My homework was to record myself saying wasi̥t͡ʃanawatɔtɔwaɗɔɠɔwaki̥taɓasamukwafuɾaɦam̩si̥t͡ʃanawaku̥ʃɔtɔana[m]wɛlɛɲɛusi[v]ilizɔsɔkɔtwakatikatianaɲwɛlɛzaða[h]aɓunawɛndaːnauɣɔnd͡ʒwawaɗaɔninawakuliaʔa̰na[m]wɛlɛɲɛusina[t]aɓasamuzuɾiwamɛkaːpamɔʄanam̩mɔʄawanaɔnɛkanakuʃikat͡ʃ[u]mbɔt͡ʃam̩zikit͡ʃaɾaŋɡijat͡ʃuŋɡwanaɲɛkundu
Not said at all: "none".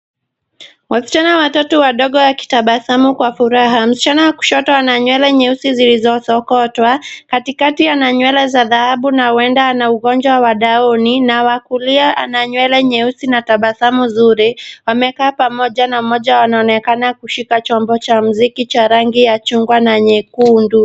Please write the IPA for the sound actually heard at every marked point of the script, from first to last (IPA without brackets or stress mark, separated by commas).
ɲ, z, h, ɲ, t, ɔ